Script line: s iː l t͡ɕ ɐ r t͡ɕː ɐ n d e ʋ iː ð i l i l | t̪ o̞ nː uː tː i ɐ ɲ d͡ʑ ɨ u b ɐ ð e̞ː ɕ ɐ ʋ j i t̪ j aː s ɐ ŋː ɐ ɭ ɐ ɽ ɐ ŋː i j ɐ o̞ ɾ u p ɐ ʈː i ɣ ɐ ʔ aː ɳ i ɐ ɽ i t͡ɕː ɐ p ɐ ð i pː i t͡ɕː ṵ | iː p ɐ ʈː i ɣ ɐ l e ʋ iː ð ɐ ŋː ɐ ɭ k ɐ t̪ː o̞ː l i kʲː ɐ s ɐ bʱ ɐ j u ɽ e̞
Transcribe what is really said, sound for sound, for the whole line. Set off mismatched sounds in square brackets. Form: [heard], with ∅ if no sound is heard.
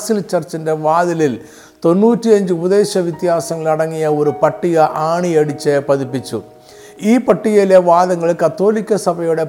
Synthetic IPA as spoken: s [i] l t͡ɕ ɐ r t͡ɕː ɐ n d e ʋ [aː] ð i l i l | t̪ o̞ nː uː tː i ɐ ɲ d͡ʑ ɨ u b ɐ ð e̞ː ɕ ɐ ʋ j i t̪ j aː s ɐ ŋː ɐ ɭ ɐ ɽ ɐ ŋː i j ɐ o̞ ɾ u p ɐ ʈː i ɣ ɐ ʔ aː ɳ i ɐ ɽ i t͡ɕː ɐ p ɐ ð i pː i t͡ɕː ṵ | iː p ɐ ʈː i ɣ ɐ l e ʋ [aː] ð ɐ ŋː ɐ ɭ k ɐ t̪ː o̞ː l i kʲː ɐ s ɐ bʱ ɐ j u ɽ e̞